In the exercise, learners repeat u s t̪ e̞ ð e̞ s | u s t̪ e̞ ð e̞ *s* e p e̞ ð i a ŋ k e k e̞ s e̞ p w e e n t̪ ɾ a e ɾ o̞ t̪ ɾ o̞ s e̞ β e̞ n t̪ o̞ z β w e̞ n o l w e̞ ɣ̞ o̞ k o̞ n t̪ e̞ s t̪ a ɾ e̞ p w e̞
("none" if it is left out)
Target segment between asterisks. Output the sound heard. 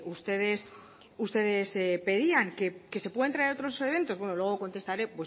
s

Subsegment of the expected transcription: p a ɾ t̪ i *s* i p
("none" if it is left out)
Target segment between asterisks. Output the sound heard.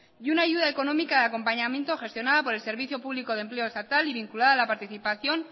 θ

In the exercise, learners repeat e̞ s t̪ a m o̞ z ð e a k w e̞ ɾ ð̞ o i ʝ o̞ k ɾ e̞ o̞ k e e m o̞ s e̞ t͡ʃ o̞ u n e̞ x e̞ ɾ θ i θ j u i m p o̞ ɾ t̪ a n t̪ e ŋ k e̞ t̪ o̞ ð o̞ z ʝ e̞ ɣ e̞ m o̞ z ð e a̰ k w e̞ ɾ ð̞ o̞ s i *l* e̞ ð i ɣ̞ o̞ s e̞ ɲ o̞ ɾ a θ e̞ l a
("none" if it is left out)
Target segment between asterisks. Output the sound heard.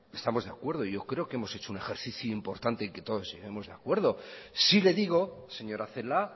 l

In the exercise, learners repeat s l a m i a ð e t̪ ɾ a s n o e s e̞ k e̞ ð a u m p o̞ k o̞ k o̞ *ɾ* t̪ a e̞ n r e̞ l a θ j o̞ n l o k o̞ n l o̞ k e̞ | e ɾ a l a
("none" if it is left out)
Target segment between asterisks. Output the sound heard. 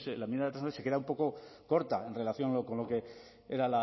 ɾ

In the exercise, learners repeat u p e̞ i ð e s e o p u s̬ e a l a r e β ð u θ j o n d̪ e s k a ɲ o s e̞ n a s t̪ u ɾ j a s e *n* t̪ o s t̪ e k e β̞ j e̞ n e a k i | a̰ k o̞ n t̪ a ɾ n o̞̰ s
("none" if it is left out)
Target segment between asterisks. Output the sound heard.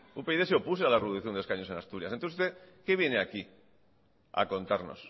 n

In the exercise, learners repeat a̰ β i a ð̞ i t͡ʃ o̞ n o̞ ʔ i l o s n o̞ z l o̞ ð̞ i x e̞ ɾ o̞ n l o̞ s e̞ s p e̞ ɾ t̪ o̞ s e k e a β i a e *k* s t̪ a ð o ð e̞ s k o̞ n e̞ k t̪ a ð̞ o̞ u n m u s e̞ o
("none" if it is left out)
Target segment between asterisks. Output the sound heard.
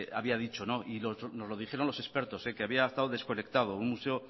none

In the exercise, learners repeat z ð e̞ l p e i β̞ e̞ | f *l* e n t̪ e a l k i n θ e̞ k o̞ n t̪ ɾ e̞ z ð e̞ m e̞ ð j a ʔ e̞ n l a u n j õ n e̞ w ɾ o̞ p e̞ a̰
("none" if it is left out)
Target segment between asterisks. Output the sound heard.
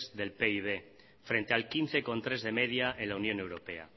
ɾ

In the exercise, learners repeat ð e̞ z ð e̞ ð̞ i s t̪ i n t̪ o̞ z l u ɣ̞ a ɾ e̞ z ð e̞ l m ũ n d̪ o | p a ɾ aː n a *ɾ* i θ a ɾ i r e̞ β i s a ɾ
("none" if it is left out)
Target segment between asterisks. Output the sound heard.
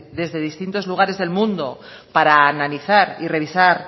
l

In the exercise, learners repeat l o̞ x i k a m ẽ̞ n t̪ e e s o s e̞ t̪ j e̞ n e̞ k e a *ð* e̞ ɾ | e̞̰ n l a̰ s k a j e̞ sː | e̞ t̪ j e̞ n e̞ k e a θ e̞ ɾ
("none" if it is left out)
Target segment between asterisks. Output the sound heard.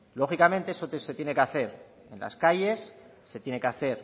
θ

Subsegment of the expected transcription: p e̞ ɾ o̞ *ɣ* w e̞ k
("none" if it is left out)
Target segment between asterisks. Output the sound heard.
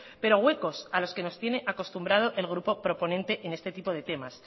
ɣ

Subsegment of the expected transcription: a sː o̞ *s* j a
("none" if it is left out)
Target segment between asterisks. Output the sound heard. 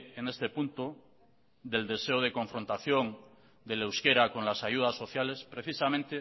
θ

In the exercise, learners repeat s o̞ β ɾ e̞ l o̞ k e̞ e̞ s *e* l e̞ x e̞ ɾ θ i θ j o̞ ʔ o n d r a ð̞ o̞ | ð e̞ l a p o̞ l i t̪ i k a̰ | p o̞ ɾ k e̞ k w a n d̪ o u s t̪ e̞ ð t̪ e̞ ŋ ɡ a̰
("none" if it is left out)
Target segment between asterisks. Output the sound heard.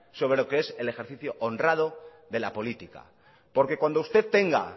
e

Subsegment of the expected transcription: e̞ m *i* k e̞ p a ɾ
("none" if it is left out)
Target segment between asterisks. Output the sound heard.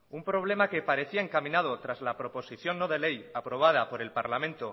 a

